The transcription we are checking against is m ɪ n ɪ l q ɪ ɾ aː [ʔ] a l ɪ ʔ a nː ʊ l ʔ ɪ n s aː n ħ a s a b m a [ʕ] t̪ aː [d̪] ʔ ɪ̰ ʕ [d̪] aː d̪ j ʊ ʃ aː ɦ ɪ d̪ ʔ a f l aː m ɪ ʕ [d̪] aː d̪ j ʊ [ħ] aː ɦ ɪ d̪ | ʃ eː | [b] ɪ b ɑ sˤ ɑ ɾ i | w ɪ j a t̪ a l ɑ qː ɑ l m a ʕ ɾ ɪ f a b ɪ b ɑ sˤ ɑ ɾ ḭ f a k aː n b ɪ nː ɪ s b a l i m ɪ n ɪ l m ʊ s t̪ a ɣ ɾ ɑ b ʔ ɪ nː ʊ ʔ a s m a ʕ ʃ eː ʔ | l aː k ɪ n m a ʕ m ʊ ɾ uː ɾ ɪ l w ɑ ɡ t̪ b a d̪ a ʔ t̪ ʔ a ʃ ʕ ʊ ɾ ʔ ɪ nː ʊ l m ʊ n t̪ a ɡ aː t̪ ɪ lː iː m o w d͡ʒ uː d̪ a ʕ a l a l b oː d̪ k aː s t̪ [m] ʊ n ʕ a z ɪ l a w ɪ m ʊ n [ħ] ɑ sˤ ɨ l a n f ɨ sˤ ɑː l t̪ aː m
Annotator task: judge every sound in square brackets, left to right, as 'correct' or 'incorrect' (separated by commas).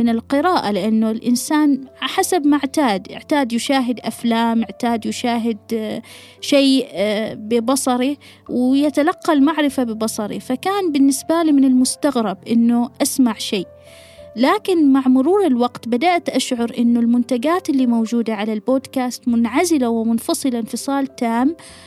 correct, correct, correct, incorrect, incorrect, incorrect, correct, correct, incorrect